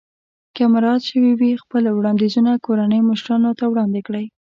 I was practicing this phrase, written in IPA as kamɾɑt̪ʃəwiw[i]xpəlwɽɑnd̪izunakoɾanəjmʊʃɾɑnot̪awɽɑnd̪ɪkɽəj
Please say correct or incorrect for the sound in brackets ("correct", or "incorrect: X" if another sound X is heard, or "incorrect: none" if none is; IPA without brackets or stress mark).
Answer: correct